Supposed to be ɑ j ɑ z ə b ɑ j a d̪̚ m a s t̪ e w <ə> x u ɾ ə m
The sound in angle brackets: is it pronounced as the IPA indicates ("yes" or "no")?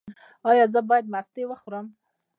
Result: yes